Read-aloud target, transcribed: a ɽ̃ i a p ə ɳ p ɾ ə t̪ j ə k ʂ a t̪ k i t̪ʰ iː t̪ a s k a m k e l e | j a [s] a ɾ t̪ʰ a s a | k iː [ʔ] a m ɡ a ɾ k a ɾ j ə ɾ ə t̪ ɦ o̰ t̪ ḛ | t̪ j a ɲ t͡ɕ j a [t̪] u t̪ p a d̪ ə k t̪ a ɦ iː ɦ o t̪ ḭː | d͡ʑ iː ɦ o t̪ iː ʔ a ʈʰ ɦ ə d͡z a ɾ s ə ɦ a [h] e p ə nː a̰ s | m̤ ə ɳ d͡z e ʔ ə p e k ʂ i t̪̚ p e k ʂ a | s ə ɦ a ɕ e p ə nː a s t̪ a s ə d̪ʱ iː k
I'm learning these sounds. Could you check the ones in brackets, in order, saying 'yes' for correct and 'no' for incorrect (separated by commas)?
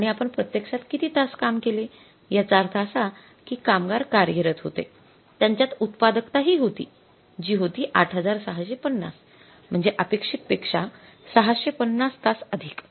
no, no, yes, no